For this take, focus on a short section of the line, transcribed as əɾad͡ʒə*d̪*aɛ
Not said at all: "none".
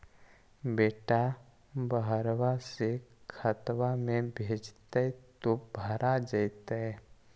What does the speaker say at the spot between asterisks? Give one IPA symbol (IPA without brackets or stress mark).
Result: t̪